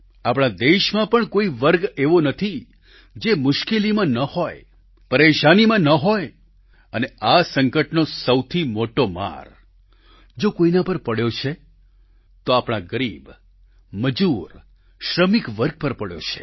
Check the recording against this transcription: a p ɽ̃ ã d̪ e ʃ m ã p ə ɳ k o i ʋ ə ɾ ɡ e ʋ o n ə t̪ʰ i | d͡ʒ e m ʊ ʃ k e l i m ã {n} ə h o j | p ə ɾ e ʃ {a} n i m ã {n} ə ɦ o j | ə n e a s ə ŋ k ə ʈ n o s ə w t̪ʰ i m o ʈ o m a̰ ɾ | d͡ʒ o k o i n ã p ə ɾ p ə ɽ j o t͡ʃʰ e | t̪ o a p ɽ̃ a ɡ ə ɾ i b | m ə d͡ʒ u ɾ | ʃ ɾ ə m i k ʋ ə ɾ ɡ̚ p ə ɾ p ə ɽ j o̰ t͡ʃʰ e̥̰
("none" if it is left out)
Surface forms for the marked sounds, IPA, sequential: n, a, n

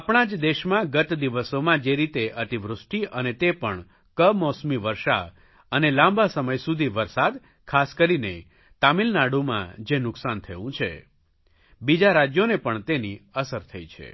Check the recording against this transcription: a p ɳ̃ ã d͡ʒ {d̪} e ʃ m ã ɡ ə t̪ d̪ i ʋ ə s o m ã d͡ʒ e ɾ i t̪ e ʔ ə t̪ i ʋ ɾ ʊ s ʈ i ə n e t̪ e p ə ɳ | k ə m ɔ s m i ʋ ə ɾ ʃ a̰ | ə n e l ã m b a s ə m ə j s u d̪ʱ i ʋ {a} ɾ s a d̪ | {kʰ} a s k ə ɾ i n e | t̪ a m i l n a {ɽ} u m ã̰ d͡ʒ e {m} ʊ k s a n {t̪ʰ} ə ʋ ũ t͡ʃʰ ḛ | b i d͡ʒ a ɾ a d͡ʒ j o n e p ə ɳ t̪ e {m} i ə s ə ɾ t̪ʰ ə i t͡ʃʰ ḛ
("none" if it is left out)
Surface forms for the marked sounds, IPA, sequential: d̪, ə, kʰ, ɽ, n, t̪ʰ, n

